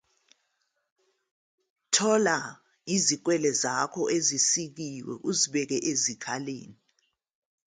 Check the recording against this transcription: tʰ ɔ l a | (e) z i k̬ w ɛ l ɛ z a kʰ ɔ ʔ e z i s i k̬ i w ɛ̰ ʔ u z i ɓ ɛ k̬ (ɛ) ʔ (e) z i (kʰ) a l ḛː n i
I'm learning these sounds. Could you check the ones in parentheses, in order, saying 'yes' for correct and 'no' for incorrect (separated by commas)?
no, yes, yes, yes